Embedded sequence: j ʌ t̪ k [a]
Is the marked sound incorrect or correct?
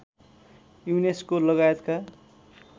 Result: correct